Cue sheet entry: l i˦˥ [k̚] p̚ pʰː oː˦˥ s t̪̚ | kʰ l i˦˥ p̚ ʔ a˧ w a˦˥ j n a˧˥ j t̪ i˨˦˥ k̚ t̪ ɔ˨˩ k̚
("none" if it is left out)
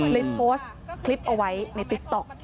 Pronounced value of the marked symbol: none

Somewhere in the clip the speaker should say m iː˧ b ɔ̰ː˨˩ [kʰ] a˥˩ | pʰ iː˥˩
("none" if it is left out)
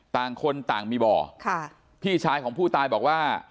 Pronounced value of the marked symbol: kʰ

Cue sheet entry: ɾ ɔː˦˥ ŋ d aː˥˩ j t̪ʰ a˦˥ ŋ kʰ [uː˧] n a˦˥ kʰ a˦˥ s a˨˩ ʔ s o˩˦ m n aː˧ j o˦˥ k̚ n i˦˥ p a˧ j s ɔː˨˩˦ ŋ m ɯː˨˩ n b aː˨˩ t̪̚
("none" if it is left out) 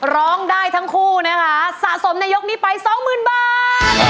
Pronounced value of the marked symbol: uː˥˩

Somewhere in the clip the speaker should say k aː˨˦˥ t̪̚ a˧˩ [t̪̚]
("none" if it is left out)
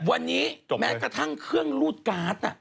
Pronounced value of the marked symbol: none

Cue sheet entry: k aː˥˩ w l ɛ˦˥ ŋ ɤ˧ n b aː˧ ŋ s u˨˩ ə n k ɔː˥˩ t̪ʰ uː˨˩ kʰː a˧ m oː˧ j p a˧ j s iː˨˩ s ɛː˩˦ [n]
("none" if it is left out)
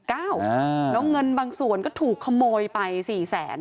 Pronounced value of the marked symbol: n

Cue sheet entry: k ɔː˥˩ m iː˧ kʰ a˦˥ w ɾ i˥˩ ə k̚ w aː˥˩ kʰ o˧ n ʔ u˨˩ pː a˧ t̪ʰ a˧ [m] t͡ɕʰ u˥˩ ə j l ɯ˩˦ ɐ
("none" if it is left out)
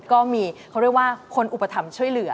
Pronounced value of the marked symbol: m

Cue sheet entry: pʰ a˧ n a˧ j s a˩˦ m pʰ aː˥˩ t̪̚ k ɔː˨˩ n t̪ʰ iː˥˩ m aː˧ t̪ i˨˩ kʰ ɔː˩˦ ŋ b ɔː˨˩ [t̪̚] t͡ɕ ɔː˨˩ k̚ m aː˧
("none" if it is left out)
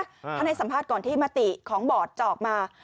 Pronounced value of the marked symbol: t̪̚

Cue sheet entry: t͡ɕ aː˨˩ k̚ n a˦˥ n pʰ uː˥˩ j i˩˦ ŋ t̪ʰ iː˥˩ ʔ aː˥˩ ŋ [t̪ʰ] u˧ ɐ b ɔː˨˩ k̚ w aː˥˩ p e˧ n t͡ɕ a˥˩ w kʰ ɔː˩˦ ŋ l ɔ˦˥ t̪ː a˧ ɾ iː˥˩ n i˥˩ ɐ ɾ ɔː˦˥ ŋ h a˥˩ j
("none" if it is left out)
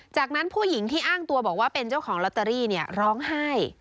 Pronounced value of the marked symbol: t̪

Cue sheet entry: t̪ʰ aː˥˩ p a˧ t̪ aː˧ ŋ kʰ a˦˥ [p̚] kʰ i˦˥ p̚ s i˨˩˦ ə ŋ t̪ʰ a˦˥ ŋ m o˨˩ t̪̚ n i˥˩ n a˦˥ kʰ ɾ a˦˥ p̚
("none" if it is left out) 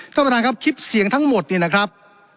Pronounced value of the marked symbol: p̚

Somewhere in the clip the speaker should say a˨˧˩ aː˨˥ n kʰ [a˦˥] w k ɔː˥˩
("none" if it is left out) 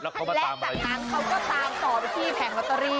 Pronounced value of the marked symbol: a˦˥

